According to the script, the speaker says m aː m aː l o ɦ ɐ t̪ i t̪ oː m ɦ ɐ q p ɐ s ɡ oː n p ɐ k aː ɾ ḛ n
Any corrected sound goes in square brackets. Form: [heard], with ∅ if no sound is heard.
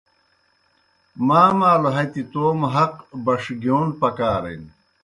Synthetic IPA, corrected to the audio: m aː m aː l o ɦ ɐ t̪ i t̪ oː m ɦ ɐ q [b] ɐ [ʂ] ɡ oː n p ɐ k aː ɾ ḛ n